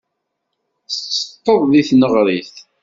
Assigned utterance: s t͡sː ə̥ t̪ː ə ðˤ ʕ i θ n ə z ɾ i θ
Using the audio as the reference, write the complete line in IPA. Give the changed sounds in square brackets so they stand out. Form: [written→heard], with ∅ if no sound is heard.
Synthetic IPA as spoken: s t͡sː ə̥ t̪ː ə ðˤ [ʕ→ð] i θ n ə [z→ʁ] ɾ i θ